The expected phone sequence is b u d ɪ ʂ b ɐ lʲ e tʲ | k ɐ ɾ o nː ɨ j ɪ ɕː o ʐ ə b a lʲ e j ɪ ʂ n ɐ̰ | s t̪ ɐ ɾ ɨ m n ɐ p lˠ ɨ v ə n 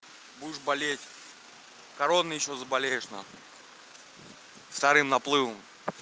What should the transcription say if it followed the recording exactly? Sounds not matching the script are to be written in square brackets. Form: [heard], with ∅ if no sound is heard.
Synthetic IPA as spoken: b u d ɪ ʂ b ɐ lʲ e tʲ | k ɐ ɾ o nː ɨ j ɪ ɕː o [z] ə b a lʲ e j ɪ ʂ n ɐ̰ | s t̪ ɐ ɾ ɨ m n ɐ p lˠ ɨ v ə [m]